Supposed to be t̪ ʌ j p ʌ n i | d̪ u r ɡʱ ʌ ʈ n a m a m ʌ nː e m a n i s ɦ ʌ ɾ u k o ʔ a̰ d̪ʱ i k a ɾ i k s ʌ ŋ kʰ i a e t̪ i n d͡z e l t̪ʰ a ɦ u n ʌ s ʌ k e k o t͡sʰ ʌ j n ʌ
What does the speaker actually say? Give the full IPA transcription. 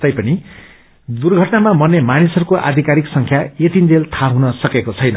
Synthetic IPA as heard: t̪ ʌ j p ʌ n i | d̪ u r ɡʱ ʌ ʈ n a m a m ʌ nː e m a n i s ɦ ʌ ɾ u k o ʔ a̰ d̪ʱ i k a ɾ i k s ʌ ŋ kʰ j a e t̪ i n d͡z e l t̪ʰ a ɦ u n ʌ s ʌ k e k o t͡sʰ ʌ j n ʌ